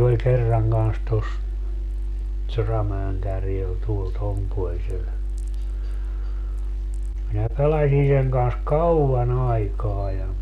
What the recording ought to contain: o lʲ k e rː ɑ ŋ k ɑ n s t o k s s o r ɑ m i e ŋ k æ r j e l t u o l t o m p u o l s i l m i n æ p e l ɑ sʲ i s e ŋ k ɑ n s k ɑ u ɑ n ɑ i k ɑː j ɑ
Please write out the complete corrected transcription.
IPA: o lʲ k e rː ɑ ŋ k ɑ n s t o s s o r ɑ m æ e ŋ k æ r j e l t u o l t o m p u o l s e l m i n æ p e l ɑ sʲ i s e ŋ k ɑ n s k ɑ u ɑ n ɑ i k ɑː j ɑ